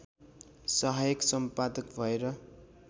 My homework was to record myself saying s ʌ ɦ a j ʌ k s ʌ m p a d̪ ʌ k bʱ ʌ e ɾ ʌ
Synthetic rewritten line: s ʌ ɦ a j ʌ k s ʌ m p a d̪ ʌ k bʱ ʌ e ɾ ʌ